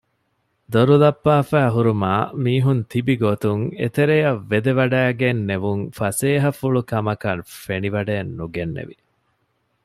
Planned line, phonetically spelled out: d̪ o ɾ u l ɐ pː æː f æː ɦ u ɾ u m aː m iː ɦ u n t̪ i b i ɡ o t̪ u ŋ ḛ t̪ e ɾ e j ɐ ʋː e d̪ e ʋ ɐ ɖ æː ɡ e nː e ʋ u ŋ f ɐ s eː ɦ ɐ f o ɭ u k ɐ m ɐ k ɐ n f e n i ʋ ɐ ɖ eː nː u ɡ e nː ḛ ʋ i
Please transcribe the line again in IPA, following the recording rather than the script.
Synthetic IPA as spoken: d̪ o ɾ u l ɐ pː aː f æː ɦ u ɾ u m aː m iː ɦ u n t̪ i b i ɡ o t̪ u ŋ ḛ t̪ e ɾ e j ɐ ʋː e d̪ e ʋ ɐ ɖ æː ɡ e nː e ʋ u ŋ f ɐ s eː ɦ ɐ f u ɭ u k ɐ m ɐ k ɐ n f e n i ʋ ɐ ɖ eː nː u ɡ e nː ḛ ʋ i